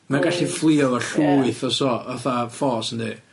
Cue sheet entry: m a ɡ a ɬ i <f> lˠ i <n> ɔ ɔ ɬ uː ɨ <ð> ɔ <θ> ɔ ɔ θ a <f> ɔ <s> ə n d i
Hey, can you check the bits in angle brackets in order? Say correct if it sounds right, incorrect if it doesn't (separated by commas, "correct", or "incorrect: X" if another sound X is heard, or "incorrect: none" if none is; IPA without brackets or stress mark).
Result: correct, incorrect: none, incorrect: θ, incorrect: s, correct, correct